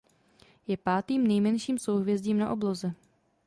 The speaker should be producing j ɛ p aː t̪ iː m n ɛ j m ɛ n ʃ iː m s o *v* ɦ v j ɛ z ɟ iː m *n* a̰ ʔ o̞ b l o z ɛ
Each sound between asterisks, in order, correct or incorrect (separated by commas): incorrect, correct